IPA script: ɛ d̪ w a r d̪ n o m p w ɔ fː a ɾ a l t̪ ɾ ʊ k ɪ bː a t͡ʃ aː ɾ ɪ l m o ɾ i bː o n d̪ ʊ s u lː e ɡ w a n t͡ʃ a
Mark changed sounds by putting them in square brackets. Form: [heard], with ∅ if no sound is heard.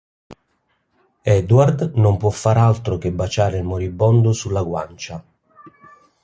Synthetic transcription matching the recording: ɛ d̪ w a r d̪ n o m p w ɔ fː a ɾ a l t̪ ɾ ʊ k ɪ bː a t͡ʃ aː ɾ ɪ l m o ɾ i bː [ɔ] n d̪ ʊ s u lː [a] ɡ w a n t͡ʃ a